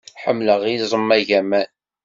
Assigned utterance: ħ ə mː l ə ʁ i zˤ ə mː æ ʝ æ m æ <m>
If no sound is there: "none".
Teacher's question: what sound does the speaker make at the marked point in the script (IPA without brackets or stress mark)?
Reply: n